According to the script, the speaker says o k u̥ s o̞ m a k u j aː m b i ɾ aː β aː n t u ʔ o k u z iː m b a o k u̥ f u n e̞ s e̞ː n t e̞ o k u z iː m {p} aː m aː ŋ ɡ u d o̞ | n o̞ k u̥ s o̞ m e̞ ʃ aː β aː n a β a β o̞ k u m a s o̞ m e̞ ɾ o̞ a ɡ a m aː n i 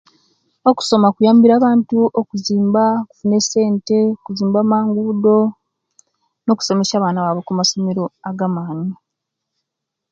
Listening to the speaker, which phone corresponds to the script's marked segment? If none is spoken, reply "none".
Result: b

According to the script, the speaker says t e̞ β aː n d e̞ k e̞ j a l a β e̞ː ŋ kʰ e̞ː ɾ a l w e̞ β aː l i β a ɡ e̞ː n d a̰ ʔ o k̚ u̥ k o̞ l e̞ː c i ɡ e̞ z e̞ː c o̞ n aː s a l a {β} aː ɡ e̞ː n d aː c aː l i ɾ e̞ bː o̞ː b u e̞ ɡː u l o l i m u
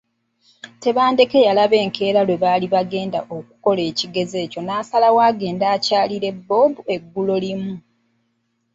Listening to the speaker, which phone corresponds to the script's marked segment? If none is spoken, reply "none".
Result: w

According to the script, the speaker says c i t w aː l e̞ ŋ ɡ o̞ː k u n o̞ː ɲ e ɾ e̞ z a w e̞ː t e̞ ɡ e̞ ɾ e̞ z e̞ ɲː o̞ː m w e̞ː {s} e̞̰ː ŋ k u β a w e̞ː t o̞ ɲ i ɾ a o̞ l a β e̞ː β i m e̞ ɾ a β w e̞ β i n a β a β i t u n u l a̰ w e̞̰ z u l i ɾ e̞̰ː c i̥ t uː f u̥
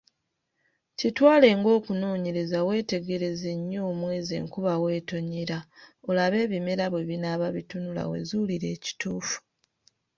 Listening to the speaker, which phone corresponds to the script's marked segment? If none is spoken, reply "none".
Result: z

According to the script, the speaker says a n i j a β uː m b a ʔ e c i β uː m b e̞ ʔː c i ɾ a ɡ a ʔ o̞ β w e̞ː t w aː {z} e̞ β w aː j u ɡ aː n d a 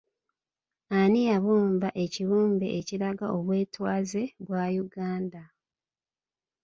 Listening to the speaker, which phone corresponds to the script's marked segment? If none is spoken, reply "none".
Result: z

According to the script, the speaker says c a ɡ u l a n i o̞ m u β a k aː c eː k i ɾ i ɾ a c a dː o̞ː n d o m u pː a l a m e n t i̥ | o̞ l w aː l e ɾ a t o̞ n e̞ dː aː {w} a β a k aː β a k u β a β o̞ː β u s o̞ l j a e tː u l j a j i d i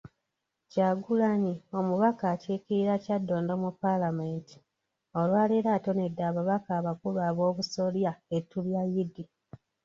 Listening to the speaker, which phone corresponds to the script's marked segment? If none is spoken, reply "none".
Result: β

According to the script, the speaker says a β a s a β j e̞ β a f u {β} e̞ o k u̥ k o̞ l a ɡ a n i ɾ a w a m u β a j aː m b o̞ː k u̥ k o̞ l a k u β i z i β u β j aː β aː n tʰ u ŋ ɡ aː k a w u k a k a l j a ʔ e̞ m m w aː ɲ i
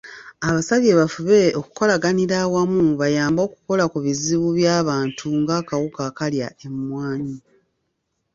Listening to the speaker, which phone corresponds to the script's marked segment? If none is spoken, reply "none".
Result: β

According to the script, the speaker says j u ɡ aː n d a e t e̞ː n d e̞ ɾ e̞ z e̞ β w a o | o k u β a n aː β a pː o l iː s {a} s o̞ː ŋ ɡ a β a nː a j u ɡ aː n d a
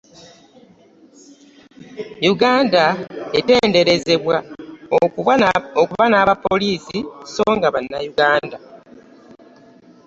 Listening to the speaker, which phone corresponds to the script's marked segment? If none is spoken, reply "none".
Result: i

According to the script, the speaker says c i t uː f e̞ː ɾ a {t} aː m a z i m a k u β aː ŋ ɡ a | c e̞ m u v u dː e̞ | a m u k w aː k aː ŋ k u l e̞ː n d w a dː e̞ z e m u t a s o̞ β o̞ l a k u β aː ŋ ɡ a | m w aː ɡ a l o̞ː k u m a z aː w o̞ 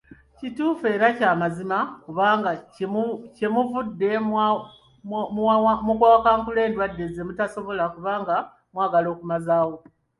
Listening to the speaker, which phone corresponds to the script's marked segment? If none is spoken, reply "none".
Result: c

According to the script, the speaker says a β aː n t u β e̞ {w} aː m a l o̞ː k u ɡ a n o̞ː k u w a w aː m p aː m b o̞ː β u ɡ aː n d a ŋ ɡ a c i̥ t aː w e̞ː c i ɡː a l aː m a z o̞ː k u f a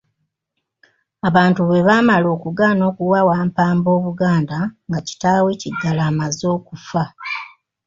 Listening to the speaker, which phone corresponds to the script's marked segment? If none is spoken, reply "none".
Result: β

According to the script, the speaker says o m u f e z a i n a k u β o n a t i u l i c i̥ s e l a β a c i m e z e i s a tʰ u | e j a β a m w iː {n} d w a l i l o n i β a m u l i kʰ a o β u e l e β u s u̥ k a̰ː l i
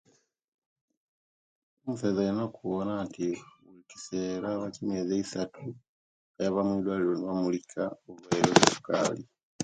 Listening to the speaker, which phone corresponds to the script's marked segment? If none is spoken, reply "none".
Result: none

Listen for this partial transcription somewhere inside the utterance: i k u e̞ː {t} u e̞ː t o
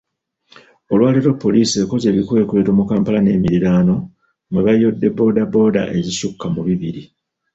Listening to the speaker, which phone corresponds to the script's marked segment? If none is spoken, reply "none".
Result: k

